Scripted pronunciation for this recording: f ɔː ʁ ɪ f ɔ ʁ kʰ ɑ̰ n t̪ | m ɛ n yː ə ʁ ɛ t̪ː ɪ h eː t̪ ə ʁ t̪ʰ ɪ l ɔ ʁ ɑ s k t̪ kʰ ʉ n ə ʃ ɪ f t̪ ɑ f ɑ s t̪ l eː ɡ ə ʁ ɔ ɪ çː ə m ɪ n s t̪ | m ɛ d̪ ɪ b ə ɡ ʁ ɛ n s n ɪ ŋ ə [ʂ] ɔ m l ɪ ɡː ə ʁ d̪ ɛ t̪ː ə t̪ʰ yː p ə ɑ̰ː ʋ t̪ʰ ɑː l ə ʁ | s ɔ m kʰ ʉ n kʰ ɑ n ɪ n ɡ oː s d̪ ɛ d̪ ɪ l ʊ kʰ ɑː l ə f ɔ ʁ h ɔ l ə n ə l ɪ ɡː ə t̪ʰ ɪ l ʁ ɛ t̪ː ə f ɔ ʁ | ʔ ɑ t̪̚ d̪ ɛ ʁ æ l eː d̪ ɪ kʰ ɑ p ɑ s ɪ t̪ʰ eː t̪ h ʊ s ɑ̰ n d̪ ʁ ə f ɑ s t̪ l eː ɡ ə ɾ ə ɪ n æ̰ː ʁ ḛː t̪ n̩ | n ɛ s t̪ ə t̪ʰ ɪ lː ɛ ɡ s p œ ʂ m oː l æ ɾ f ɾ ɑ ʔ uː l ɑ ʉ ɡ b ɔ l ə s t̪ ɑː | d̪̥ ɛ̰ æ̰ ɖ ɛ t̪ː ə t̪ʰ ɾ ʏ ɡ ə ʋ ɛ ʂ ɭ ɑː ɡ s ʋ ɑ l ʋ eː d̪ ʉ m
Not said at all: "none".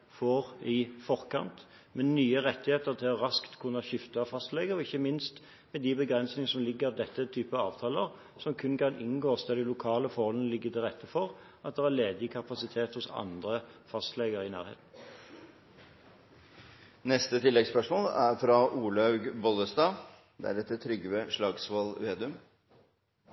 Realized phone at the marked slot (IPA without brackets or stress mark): s